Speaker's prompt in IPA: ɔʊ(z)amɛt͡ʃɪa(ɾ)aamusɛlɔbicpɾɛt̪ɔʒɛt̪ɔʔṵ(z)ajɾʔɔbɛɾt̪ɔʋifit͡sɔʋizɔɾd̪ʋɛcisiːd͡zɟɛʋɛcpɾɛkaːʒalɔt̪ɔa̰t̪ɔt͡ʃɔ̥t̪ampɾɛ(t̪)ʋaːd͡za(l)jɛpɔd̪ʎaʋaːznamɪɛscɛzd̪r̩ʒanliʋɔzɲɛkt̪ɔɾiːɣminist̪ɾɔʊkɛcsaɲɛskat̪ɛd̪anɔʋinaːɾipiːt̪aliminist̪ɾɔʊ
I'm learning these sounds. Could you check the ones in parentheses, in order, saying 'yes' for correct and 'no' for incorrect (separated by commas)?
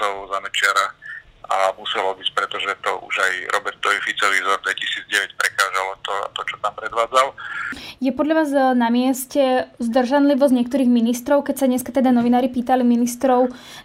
yes, yes, no, no, yes